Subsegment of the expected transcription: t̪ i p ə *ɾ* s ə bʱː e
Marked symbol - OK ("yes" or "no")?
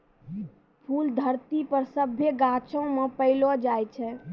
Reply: yes